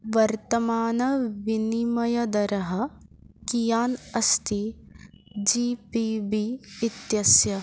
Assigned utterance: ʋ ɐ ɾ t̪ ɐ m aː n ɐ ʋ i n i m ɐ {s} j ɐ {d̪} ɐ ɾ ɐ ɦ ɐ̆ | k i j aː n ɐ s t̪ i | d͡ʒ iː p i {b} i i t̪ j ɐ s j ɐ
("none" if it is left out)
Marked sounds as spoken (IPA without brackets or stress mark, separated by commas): none, d̪, b